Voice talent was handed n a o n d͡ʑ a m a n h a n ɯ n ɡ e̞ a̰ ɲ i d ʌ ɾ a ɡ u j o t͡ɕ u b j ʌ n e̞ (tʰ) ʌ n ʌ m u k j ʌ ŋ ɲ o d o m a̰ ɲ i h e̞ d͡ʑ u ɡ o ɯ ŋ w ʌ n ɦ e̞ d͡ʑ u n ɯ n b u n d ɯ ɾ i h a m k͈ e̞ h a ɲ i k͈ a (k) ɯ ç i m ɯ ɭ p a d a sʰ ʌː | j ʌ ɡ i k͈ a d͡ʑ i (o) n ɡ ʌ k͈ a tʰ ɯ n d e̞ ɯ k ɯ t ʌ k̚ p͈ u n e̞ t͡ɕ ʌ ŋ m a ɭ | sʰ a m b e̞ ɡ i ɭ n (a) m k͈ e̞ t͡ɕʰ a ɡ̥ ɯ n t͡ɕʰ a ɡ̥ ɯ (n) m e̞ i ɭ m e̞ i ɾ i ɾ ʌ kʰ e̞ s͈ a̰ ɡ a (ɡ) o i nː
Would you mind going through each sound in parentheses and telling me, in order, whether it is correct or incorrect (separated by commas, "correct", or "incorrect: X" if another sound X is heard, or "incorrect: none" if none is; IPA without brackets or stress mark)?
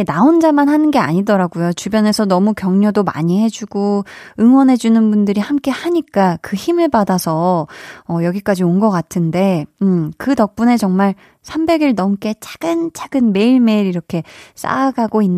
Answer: incorrect: sʰ, correct, correct, incorrect: ʌ, correct, correct